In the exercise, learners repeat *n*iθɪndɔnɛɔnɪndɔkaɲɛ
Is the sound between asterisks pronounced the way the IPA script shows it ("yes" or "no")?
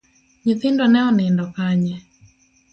no